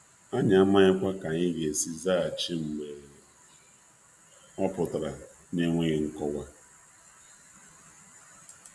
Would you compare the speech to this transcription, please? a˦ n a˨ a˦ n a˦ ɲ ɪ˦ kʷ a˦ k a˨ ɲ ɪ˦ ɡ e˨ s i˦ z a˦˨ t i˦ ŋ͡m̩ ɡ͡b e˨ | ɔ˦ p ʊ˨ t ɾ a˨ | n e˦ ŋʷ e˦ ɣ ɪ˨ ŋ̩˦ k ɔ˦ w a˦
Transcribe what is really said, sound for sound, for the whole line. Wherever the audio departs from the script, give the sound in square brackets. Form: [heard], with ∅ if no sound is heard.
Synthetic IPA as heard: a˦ [ɲ] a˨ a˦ [m] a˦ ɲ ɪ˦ kʷ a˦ k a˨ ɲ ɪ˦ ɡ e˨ s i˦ z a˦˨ [t͡ʃ] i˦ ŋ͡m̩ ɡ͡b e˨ | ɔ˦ p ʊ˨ t ɾ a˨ | n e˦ ŋʷ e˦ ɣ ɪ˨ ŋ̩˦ k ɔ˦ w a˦

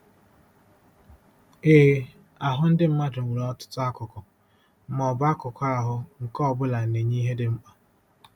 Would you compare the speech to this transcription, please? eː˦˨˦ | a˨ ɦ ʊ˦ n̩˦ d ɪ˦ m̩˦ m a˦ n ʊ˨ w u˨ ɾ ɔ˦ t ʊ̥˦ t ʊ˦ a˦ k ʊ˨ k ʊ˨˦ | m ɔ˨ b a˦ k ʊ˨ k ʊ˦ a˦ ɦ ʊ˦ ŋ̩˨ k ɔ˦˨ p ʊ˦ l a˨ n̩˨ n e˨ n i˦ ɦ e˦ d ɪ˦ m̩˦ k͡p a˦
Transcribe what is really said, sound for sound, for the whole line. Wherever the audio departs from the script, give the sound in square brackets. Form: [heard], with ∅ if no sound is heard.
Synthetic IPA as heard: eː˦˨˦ | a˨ ɦ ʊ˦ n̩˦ d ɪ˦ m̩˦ m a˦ [d] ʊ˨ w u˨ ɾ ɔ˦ t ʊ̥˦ t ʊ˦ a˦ k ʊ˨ k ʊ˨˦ | m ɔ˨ b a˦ k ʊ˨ k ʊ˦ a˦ ɦ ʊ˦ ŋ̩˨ k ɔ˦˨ [b] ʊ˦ l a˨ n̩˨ n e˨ [ɲ] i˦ ɦ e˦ d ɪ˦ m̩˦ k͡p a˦

